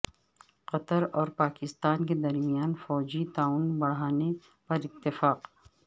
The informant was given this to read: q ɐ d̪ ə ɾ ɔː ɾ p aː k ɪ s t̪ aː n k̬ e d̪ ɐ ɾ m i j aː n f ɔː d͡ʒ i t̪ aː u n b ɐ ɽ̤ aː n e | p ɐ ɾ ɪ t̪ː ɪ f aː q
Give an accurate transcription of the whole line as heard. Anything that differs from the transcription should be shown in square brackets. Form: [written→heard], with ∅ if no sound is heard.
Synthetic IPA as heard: q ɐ [d̪→t̪] ə ɾ ɔː ɾ p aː k ɪ s t̪ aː n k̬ e d̪ ɐ ɾ m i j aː n f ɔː d͡ʒ i t̪ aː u n b ɐ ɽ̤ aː n e | p ɐ ɾ ɪ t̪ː ɪ f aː q

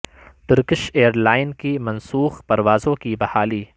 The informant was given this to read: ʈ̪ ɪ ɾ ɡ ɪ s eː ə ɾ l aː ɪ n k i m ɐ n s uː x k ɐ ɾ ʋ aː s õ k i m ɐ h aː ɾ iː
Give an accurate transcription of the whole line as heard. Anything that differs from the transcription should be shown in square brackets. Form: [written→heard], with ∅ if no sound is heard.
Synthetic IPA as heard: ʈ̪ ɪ ɾ [ɡ→k] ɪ [s→ʃ] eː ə ɾ l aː ɪ n k i m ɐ n s uː x [k→p] ɐ ɾ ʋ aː [s→z] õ k i [m→b] ɐ h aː [ɾ→l] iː

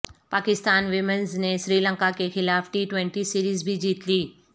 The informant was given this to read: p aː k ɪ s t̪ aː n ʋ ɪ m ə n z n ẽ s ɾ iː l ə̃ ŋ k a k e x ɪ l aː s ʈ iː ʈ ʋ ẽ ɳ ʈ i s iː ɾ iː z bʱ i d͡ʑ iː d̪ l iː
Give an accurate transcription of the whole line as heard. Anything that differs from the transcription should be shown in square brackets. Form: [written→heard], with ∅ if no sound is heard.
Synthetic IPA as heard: p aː k ɪ s t̪ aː n ʋ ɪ m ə n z n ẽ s ɾ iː l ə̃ ŋ k a k e x ɪ l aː [s→f] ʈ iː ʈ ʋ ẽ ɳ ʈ i s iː ɾ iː z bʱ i d͡ʑ iː [d̪→t̪] l iː

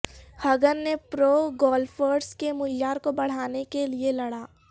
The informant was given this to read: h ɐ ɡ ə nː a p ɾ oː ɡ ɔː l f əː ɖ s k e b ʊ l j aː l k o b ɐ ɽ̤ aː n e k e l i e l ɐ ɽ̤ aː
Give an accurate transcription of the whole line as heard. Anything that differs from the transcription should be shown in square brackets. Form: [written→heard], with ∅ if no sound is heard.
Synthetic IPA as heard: h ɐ ɡ ə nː [a→e] p ɾ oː ɡ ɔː l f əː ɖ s k e [b→m] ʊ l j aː [l→ɾ] k o b ɐ ɽ̤ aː n e k e l i e l ɐ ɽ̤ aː

